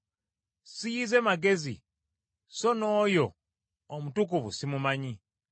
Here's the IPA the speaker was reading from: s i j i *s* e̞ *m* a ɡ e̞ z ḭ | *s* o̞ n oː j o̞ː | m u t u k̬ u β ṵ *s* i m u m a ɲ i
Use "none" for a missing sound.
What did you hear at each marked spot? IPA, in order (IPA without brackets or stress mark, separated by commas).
z, m, s, s